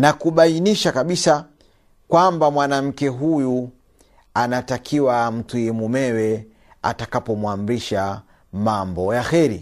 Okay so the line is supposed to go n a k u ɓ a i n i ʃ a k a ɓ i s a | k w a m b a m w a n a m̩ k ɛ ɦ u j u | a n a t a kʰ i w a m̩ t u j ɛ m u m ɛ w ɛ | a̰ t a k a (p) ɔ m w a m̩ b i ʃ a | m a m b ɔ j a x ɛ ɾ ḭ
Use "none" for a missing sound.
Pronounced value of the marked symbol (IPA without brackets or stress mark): p